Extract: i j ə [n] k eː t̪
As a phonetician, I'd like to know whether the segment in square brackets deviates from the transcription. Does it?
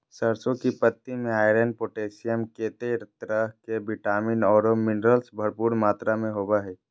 yes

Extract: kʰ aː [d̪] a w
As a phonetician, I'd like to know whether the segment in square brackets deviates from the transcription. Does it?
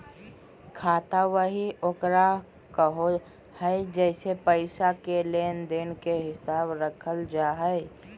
yes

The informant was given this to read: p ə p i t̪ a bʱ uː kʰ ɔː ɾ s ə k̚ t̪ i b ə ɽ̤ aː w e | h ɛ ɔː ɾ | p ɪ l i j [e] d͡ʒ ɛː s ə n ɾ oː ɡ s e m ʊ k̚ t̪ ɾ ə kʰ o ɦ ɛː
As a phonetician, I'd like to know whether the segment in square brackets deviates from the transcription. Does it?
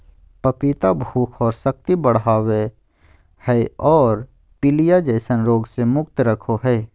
yes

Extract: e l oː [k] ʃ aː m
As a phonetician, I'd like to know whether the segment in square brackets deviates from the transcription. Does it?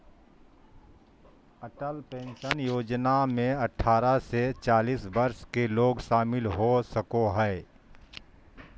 yes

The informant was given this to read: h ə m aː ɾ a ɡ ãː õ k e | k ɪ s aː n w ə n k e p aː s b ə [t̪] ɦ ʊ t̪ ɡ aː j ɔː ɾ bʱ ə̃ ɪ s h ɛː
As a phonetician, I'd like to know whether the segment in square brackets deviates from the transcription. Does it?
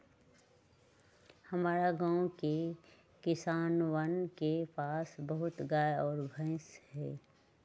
yes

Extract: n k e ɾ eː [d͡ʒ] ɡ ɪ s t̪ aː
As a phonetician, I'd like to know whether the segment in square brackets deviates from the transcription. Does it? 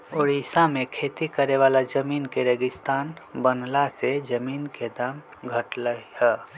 yes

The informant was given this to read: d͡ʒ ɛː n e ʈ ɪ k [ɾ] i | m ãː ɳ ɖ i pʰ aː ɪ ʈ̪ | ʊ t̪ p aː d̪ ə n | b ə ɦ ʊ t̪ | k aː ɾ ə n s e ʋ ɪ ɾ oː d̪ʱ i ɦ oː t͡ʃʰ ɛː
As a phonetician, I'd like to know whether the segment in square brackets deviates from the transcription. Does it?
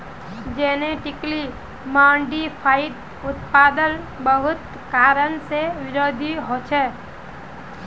yes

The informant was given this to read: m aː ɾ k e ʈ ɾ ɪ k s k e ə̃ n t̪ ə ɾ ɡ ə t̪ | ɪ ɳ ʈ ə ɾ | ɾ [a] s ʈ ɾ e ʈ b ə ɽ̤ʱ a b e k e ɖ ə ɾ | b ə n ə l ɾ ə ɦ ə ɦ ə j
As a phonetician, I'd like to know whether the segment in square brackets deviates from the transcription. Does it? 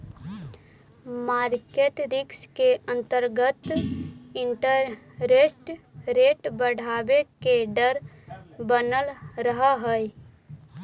yes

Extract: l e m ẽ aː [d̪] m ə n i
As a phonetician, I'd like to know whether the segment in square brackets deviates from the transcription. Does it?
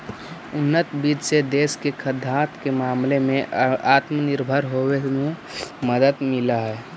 yes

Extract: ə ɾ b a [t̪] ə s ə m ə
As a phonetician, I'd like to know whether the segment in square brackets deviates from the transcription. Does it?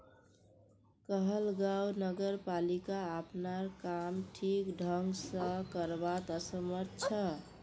no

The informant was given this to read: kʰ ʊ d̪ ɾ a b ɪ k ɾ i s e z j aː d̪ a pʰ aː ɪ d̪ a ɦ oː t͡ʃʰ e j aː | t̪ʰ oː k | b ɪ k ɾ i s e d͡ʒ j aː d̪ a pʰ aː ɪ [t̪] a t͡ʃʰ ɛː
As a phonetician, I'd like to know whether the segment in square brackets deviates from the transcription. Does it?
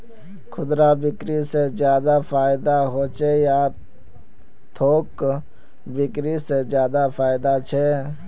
yes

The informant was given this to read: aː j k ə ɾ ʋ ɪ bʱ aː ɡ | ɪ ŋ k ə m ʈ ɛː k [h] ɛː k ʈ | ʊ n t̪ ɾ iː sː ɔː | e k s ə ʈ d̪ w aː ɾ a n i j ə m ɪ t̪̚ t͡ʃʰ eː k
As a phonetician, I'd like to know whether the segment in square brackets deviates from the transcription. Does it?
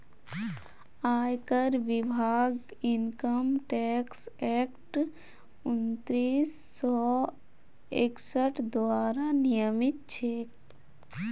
yes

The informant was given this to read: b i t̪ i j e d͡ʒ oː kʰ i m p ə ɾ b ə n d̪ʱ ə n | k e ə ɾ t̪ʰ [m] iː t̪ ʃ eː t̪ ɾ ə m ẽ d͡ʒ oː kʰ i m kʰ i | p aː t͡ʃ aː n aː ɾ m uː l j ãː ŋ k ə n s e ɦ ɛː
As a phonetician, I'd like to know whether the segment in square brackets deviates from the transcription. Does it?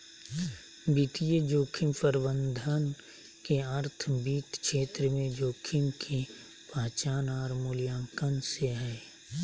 yes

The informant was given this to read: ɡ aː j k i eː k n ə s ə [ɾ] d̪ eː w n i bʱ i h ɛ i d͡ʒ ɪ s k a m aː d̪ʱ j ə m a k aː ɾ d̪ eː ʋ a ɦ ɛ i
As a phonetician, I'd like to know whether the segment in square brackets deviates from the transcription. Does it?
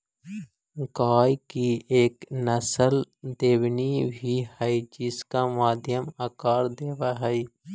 yes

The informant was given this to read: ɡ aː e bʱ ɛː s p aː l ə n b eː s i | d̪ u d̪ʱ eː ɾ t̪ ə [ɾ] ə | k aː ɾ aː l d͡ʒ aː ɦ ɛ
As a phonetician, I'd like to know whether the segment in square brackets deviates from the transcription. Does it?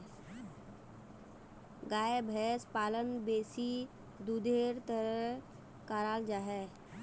no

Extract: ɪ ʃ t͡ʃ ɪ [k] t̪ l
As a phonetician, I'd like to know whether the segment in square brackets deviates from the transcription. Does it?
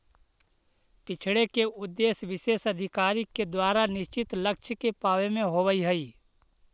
yes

